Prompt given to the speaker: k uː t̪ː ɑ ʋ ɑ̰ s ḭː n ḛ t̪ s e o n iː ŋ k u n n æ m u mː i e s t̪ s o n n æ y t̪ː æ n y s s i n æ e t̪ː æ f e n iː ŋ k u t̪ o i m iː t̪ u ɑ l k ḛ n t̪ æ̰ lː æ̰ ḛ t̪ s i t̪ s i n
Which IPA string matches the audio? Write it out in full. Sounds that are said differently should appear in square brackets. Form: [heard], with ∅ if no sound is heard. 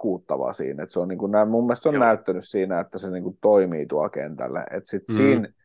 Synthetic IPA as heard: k uː t̪ː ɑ ʋ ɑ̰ s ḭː n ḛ t̪ s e o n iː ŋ k u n n æ m u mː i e s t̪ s o n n æ y t̪ː æ n y s s [iː] n æ e t̪ː æ [s] e n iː ŋ k u t̪ o i m iː t̪ u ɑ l k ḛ n t̪ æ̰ lː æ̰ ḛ t̪ s i t̪ s [iː] n